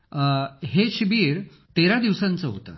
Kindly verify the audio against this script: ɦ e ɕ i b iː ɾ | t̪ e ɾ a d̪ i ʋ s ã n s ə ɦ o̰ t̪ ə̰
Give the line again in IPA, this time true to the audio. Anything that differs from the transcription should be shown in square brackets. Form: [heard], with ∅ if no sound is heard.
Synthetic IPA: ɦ e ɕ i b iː ɾ | t̪ e ɾ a d̪ i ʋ s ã n [t͡s] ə ɦ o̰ t̪ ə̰